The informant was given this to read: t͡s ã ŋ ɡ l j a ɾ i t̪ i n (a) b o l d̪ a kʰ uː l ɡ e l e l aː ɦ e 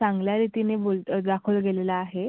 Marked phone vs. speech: incorrect: e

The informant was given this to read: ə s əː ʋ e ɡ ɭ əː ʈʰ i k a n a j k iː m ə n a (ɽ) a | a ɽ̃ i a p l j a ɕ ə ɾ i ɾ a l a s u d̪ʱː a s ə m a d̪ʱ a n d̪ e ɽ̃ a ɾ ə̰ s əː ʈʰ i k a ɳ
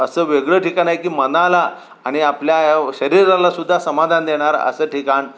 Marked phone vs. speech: incorrect: l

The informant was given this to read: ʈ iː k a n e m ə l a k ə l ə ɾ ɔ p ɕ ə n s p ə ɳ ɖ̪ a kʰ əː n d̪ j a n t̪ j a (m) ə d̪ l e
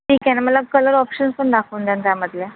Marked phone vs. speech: correct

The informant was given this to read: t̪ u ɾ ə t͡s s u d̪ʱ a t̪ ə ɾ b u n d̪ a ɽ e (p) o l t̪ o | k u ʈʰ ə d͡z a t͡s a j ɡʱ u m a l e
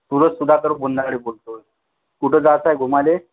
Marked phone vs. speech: incorrect: b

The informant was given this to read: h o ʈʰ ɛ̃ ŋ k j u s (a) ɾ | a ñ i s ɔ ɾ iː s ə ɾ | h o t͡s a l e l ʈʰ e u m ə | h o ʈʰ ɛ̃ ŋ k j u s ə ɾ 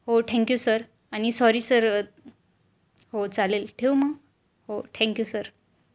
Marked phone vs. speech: incorrect: ə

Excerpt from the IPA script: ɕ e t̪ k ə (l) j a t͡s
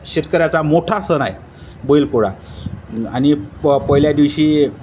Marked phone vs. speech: incorrect: ɾ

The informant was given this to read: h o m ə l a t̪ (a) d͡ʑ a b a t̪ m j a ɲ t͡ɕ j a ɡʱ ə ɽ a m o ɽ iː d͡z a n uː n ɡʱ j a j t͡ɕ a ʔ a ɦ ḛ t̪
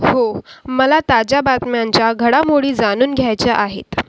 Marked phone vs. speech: correct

